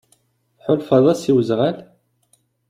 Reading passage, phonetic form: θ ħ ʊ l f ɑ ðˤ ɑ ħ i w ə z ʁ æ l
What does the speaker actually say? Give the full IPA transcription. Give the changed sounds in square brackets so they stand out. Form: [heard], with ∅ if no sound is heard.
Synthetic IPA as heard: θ ħ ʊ l f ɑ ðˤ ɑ [s] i w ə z ʁ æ l